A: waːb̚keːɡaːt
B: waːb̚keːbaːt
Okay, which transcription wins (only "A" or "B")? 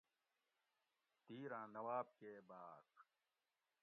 B